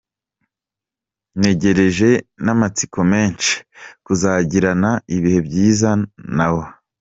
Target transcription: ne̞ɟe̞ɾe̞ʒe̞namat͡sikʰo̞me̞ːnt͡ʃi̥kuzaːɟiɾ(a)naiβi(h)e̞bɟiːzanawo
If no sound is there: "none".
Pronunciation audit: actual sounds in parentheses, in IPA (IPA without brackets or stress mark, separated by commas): a, h